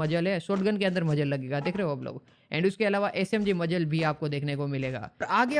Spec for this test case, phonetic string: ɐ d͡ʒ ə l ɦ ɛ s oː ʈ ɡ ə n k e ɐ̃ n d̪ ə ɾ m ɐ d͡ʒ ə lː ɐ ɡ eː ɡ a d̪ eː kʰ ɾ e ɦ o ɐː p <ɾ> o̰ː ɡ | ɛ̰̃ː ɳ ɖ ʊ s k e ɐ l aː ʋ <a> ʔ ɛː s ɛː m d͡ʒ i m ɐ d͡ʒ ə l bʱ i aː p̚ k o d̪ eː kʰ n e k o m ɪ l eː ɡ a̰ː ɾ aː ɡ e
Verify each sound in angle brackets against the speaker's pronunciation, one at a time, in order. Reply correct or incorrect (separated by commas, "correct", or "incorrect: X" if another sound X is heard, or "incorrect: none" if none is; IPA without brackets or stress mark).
incorrect: l, correct